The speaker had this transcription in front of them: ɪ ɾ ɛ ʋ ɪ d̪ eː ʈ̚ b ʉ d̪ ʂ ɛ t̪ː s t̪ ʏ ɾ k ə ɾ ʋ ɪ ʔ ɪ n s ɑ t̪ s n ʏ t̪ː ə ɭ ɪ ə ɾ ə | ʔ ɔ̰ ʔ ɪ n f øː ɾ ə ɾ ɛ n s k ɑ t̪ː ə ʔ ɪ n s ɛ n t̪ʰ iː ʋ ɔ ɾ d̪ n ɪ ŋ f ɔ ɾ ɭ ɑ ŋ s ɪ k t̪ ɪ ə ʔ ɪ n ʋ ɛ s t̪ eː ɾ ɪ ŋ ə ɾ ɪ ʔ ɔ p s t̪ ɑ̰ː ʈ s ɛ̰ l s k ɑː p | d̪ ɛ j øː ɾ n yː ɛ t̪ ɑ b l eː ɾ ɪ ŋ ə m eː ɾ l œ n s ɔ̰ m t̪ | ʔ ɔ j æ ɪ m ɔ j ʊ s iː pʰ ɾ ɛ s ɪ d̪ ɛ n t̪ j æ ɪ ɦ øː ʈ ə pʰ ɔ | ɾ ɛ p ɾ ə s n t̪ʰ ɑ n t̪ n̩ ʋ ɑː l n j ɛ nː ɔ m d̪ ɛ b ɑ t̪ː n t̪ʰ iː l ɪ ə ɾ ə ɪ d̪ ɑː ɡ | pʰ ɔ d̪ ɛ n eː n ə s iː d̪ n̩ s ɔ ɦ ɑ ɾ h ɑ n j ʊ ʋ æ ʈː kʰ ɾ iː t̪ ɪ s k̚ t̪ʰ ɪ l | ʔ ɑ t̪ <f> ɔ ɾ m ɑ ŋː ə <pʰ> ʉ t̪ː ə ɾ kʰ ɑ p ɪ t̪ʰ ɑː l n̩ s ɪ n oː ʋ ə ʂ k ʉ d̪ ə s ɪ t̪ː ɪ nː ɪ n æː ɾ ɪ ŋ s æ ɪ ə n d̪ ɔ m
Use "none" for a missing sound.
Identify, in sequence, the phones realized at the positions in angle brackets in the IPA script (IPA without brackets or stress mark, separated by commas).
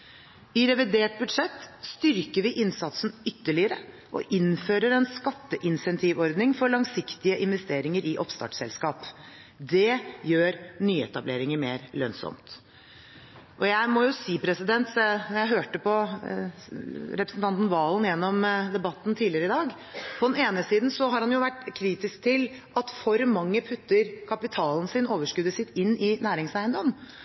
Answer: f, pʰ